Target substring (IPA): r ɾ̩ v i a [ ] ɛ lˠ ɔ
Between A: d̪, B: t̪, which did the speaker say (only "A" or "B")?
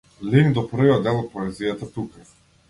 A